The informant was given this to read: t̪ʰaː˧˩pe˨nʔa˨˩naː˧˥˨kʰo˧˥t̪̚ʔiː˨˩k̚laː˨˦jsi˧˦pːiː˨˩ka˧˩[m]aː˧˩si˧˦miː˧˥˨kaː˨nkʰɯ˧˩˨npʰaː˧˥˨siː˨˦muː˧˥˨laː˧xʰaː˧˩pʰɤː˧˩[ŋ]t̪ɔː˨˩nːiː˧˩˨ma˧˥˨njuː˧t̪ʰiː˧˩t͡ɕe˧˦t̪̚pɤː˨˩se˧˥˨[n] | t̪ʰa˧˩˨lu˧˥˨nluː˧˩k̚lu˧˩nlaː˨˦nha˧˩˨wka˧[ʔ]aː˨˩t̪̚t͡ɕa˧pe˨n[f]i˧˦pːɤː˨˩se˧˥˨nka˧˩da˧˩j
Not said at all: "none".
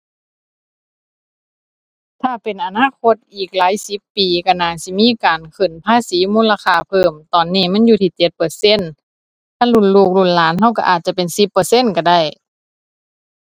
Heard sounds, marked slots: n, m, n, ʔ, s

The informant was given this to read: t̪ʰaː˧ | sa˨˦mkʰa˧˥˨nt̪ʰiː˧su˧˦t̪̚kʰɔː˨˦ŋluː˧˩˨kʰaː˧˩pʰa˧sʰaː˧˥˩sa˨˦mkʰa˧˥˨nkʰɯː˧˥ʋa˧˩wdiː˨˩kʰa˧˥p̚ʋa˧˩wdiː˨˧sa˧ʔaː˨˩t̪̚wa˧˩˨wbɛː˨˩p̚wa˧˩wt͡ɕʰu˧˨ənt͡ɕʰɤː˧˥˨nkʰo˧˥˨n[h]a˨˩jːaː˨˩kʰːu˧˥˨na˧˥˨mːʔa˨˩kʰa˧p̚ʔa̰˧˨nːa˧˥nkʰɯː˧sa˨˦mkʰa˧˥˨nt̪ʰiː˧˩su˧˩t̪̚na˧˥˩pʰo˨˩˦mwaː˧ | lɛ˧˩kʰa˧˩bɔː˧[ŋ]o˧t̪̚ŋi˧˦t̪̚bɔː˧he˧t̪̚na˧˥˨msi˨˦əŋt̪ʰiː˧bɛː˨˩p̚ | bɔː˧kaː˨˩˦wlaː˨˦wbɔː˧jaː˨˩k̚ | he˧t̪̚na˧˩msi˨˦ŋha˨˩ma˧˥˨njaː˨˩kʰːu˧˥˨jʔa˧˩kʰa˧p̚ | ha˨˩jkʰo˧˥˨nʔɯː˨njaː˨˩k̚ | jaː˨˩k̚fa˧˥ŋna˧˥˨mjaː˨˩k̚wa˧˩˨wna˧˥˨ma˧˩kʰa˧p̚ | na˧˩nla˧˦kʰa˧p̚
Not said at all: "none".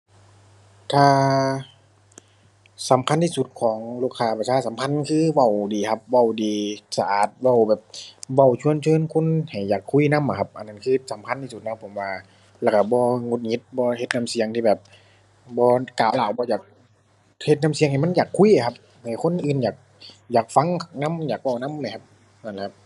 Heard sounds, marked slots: h, ŋ

